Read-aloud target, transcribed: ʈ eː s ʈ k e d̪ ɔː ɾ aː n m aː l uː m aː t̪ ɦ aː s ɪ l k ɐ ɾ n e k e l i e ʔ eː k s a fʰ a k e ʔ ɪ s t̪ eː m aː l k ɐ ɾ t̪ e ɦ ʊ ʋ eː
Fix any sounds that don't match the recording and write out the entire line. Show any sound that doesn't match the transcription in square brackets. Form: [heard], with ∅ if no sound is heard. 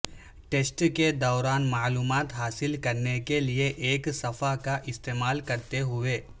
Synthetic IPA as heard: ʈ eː s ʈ k e d̪ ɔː ɾ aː n m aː l uː m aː t̪ ɦ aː s ɪ l k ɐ ɾ n e k e l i e ʔ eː k s [ɐ] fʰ a k [a] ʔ ɪ s t̪ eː m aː l k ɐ ɾ t̪ e ɦ ʊ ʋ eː